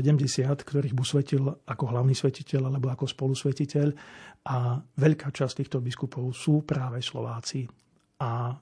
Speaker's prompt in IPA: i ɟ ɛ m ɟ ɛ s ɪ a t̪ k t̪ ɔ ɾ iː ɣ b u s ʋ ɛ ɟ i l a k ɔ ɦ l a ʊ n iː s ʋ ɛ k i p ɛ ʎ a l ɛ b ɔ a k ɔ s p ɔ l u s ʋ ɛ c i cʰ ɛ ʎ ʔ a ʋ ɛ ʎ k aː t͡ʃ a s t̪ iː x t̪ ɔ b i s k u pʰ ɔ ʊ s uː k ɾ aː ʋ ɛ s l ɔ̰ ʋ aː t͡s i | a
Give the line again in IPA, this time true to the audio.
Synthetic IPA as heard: ɛ ɟ ɛ m ɟ ɛ s ɪ a t̪ k t̪ ɔ ɾ iː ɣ b u s ʋ ɛ c i l a k ɔ ɦ l a ʊ n iː s ʋ ɛ c i c ɛ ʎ a l ɛ b ɔ a k ɔ s p ɔ l u s ʋ ɛ c i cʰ ɛ ʎ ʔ a ʋ ɛ ʎ k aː t͡ʃ a s t̪ iː x t̪ ɔ b i s k u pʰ ɔ ʊ s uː p ɾ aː ʋ ɛ s l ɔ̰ ʋ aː t͡s i | a